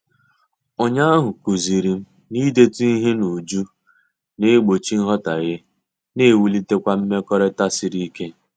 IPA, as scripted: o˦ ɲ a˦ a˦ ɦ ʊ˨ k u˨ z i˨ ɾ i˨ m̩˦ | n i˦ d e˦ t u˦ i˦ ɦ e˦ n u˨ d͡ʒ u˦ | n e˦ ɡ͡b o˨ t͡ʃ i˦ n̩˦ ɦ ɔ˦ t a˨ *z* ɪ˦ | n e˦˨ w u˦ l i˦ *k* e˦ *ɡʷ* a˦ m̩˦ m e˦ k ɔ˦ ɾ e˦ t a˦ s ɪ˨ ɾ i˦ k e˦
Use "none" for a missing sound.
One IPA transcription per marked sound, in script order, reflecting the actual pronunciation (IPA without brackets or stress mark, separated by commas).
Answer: ɣ, t, kʷ